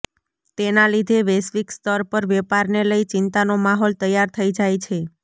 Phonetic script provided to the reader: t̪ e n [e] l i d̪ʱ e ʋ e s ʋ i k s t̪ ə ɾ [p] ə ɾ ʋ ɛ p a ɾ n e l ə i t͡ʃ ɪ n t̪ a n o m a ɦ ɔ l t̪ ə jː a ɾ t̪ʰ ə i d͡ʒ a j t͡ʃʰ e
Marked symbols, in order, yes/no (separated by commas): no, yes